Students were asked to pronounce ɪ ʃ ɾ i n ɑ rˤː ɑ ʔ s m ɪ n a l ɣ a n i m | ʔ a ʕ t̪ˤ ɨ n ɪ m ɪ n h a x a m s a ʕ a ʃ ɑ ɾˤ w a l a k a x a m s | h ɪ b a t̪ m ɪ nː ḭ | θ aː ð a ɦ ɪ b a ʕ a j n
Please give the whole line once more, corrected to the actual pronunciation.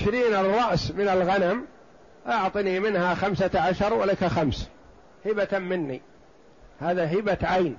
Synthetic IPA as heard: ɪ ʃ ɾ iː n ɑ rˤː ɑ ʔ s m ɪ n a l ɣ a n a m | ʔ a ʕ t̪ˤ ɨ n i m ɪ n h a x a m s a ʕ a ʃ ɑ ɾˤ w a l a k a x a m s | h ɪ b a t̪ m ɪ nː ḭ | h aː ð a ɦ ɪ b a ʕ a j n